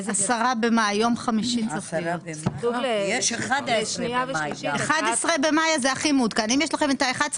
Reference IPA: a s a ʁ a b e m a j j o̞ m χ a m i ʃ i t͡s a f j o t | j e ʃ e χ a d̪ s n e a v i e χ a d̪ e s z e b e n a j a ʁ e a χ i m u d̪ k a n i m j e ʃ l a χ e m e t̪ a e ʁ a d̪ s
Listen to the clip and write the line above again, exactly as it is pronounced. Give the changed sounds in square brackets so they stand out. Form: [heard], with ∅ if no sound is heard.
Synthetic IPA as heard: a s a ʁ a b e m a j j o̞ m χ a m i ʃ i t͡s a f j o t | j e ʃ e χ a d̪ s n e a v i e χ a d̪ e s [ʁ] e b e [m] a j a [z] e a χ i m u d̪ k a n i m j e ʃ l a χ e m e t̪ a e [χ] a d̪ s